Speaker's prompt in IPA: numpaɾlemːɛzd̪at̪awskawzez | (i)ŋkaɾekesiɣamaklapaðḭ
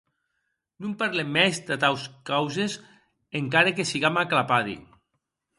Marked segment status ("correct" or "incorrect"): incorrect